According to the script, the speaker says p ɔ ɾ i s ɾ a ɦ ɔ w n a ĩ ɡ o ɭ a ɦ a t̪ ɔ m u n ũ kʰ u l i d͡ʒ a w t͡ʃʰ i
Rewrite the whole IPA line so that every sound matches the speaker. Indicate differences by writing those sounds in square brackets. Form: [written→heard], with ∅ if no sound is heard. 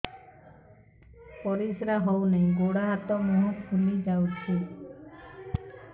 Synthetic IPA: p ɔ ɾ i s ɾ a ɦ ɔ w n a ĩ ɡ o [ɭ→ɽ] a ɦ a t̪ ɔ m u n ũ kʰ u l i d͡ʒ a w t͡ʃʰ i